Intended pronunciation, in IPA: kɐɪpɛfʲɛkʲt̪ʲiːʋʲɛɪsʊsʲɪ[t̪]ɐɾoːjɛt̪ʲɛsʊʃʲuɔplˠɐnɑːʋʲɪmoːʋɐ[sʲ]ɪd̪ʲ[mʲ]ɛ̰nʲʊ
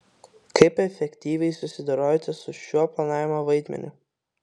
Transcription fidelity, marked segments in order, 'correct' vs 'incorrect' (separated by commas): incorrect, incorrect, correct